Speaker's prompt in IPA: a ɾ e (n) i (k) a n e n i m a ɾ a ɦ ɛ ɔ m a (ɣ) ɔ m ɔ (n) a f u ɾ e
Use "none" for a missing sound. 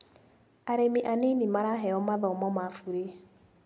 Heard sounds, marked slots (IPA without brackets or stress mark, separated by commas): m, ʔ, ð, m